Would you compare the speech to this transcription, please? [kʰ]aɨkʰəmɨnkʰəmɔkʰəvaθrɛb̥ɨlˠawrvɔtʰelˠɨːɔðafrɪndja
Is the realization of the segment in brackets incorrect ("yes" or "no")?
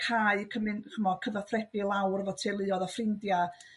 no